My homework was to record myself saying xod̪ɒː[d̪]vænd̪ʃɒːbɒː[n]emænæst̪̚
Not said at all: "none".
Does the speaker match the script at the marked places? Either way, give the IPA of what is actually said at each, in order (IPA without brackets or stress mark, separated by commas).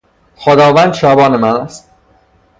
none, n